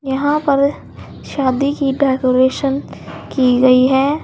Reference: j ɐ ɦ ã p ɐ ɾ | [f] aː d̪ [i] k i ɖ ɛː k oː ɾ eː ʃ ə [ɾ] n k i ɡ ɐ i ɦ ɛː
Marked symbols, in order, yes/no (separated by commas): no, yes, no